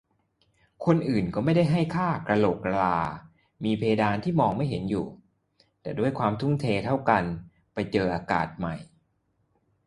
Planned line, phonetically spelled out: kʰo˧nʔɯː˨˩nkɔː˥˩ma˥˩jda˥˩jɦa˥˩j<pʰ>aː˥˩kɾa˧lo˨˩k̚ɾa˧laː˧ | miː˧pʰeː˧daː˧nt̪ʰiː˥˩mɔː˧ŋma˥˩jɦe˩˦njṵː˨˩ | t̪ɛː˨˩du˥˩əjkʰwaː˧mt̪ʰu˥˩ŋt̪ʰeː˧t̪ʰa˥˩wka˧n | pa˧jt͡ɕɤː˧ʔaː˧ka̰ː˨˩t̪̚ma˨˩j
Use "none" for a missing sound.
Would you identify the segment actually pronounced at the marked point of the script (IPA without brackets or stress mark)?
kʰ